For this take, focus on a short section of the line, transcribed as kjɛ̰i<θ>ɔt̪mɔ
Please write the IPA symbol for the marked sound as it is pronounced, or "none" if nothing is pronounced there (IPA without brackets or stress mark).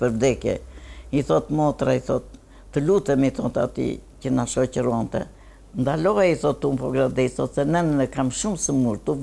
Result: θ